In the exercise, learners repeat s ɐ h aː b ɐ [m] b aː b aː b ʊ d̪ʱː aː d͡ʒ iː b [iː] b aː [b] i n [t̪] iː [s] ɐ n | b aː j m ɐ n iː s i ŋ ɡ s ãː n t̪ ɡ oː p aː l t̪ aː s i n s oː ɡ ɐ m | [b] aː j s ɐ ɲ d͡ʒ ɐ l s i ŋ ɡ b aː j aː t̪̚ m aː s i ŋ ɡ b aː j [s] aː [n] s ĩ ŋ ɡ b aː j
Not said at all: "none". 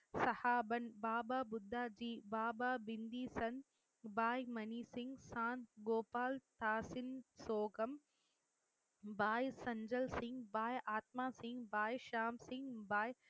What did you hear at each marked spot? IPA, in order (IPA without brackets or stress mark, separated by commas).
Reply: n, aː, b, d̪, s, b, ʃ, m